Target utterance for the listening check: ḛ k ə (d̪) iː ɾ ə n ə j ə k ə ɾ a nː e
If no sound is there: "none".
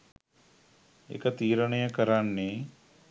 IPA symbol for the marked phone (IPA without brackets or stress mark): t̪